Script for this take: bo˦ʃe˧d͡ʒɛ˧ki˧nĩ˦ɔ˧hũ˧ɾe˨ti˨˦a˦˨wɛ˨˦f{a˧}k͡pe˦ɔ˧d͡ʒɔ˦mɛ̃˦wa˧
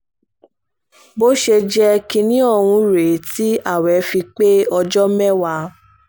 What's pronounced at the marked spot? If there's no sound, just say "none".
i˧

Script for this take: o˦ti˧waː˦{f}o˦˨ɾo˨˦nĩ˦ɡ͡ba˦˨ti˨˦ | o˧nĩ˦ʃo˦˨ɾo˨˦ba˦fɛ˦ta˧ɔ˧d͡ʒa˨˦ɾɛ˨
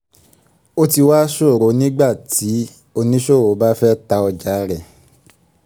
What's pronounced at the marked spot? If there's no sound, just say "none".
ʃ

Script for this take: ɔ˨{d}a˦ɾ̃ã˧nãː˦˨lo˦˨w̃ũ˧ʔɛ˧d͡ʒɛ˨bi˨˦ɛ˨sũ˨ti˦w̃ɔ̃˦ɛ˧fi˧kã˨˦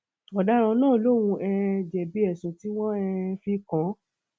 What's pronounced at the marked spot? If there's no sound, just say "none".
d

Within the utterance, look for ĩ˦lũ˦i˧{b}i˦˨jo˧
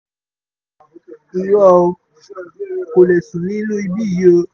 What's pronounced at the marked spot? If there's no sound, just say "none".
b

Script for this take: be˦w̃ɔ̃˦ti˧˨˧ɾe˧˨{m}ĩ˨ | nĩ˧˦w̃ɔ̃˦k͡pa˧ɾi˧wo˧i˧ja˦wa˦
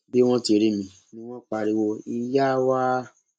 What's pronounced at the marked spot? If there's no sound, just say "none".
m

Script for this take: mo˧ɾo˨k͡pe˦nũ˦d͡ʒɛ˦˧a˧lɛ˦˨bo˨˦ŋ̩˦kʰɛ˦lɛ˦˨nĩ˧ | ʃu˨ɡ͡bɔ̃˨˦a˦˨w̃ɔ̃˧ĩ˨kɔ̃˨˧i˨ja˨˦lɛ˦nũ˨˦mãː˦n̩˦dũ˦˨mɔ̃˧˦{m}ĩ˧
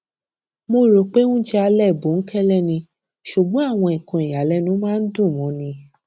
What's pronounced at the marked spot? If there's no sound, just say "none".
n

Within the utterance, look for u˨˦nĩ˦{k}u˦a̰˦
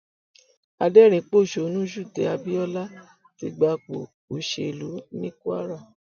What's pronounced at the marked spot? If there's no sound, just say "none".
k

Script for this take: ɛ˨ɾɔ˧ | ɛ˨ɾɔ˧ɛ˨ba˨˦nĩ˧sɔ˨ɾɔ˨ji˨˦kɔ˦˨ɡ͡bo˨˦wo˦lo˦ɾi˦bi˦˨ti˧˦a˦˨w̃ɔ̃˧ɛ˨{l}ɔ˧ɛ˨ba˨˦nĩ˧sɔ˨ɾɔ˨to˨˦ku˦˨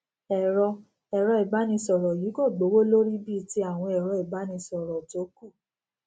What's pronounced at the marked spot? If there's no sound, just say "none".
ɾ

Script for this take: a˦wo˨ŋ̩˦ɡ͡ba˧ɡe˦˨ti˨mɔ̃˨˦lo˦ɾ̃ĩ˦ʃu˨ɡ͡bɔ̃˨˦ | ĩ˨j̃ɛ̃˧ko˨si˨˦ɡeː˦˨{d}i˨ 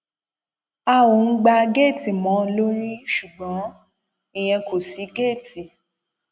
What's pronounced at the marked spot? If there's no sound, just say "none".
t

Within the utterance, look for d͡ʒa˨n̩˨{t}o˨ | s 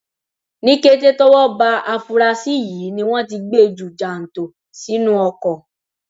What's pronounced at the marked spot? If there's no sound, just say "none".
t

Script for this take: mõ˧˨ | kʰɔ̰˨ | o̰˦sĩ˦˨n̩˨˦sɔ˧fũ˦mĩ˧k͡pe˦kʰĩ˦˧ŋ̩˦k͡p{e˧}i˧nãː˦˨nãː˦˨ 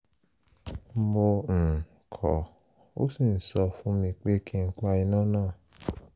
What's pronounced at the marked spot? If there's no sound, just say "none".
a˧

